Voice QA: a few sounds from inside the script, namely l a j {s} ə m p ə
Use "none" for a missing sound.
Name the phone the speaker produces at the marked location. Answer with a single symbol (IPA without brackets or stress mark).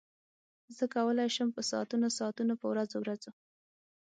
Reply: ʃ